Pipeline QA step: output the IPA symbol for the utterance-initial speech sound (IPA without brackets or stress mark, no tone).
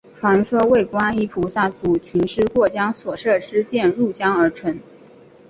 ʈ͡ʂʰ